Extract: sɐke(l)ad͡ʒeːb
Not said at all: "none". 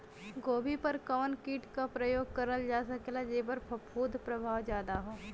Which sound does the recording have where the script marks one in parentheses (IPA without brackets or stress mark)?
l